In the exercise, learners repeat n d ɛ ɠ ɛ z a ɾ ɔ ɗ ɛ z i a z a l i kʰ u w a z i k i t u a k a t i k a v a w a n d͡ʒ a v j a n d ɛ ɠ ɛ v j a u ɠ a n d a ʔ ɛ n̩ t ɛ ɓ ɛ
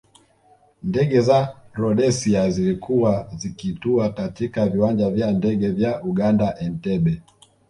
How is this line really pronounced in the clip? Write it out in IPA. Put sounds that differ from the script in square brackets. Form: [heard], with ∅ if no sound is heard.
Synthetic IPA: n d ɛ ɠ ɛ z a ɾ ɔ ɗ ɛ [s] i a z [i] l i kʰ u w a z i k i t u a k a t i k a v [i] w a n d͡ʒ a v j a n d ɛ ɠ ɛ v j a u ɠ a n d a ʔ ɛ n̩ t ɛ ɓ ɛ